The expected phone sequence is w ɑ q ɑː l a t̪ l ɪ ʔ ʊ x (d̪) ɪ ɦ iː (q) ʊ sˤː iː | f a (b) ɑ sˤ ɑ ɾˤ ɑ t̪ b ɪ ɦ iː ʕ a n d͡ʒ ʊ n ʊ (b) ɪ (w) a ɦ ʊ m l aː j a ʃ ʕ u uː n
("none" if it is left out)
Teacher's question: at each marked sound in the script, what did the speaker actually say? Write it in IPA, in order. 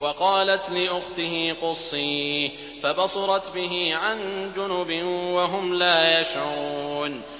t̪, q, b, b, w

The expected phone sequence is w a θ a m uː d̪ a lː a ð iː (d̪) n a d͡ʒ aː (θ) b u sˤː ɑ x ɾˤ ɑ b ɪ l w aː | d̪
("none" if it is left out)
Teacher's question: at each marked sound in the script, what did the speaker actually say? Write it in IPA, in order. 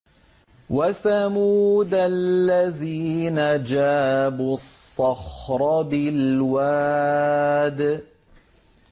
none, none

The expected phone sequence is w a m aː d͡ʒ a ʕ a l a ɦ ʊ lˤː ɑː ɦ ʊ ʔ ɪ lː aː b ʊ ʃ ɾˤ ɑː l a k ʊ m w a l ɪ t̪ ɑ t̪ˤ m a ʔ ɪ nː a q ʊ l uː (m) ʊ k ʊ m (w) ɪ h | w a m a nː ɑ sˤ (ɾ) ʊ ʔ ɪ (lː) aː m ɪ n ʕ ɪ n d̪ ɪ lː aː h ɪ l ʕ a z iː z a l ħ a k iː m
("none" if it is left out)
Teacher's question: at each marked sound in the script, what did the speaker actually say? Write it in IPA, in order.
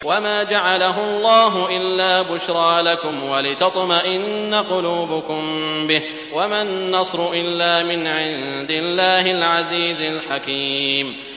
b, b, ɾ, lː

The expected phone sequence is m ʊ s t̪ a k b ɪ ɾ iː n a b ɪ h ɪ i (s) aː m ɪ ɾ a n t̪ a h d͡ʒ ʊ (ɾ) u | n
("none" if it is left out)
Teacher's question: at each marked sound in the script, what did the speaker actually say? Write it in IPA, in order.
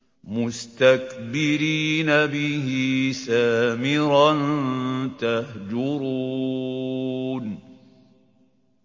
s, ɾ

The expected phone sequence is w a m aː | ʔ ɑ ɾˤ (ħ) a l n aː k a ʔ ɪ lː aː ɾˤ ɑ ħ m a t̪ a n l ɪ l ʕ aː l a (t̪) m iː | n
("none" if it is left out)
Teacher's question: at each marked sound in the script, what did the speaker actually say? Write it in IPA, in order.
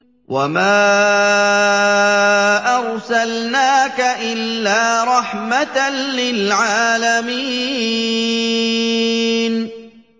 s, none

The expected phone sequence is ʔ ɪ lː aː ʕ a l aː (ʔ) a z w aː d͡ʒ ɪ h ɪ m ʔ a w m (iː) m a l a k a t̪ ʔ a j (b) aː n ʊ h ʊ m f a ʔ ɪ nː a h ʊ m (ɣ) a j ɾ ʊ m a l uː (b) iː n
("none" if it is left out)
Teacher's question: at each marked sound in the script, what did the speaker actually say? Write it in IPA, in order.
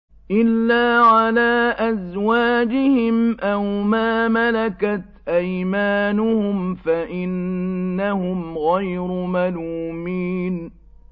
ʔ, aː, m, ɣ, m

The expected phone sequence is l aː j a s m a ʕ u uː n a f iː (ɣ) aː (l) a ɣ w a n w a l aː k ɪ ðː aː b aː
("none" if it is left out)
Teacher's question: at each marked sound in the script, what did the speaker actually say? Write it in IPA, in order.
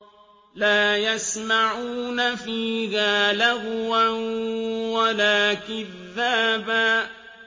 ɣ, l

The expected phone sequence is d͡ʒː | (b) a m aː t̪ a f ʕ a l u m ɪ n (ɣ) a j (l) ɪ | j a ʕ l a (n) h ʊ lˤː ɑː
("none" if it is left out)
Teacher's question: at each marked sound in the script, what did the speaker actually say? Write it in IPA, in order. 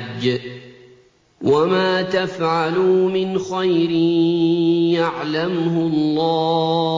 w, x, ɾ, m

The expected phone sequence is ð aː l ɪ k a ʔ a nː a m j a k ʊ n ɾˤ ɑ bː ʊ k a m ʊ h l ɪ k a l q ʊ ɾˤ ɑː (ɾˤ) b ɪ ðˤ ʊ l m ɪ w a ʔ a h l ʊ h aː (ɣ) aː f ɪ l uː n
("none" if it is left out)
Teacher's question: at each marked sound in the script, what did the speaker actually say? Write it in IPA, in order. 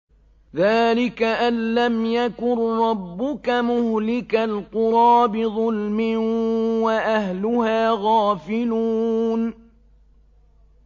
none, ɣ

